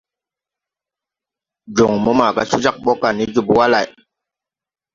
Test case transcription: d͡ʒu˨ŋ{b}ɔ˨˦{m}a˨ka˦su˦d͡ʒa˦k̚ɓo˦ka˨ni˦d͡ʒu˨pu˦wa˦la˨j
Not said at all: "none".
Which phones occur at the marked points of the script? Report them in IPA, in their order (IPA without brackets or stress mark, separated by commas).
m, m